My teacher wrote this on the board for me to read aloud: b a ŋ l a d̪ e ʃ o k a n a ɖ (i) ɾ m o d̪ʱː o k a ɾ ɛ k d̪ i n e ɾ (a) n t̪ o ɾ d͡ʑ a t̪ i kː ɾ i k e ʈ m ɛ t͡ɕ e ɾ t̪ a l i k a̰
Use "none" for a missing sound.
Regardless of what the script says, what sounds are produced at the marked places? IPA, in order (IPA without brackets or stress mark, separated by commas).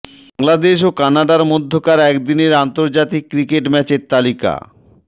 a, a